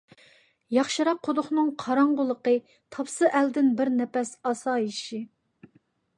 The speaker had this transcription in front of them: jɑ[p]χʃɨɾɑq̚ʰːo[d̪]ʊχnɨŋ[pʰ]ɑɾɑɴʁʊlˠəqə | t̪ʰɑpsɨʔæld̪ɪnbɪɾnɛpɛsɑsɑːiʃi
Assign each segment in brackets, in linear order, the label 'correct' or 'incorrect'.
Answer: incorrect, correct, incorrect

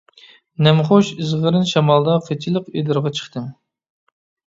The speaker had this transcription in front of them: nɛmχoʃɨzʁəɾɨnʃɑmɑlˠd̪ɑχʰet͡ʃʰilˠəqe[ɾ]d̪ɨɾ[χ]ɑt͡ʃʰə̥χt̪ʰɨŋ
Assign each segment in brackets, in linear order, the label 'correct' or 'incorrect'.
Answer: incorrect, incorrect

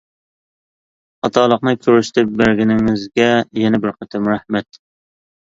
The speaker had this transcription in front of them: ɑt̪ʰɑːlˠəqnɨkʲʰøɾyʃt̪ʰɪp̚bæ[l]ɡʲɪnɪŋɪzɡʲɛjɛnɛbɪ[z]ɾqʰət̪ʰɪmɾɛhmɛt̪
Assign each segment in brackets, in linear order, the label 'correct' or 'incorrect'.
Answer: incorrect, incorrect

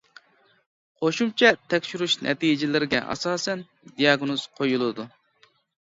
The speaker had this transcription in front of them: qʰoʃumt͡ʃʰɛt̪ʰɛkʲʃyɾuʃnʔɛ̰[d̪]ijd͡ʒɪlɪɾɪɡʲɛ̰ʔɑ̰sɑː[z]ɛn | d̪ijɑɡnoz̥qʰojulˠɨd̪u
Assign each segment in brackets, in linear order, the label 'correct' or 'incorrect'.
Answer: incorrect, incorrect

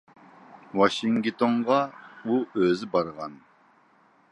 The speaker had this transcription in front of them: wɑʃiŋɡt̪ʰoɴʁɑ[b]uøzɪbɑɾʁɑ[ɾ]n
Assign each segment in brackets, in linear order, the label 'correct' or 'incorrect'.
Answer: incorrect, incorrect

